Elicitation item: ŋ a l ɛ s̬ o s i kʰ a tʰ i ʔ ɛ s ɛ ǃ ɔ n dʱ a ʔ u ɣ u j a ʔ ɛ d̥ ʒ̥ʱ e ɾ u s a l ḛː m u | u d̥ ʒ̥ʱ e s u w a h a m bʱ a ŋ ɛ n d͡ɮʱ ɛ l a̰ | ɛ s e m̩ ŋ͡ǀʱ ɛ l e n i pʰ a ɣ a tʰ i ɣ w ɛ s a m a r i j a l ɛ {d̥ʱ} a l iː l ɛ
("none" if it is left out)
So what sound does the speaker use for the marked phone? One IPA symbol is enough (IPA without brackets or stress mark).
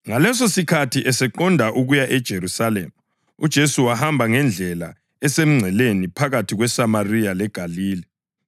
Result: ɡ̥ʱ